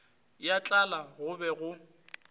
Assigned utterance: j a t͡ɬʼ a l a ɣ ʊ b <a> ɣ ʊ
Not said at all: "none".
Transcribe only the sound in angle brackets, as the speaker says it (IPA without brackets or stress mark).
ɛ